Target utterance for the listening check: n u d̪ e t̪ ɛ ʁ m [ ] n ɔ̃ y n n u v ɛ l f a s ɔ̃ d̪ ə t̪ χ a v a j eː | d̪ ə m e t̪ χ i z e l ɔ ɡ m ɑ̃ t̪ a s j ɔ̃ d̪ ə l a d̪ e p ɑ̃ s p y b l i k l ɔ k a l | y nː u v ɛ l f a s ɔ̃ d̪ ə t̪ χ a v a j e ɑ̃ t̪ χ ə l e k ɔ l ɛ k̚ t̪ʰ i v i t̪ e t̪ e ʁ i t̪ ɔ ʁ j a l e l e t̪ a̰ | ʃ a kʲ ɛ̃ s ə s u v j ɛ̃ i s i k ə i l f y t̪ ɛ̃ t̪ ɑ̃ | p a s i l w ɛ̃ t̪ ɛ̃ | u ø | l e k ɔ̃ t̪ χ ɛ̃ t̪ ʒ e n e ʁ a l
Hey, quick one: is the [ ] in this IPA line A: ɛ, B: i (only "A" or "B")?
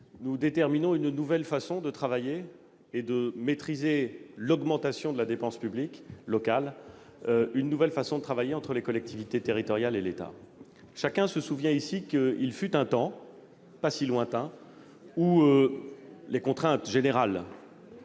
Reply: B